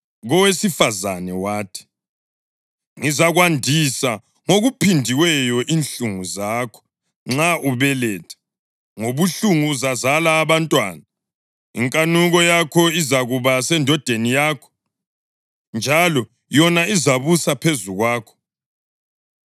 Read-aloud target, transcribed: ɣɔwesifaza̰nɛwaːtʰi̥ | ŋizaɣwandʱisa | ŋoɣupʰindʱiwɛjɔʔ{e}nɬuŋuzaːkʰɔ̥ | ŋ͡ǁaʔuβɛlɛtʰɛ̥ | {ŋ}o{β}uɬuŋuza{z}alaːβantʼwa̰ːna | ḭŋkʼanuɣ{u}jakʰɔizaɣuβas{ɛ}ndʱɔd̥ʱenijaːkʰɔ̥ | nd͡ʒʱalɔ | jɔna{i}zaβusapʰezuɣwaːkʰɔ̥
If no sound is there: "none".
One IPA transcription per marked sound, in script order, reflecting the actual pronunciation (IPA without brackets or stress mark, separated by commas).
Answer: i, ŋ, β, z, ɔ, ɛ, i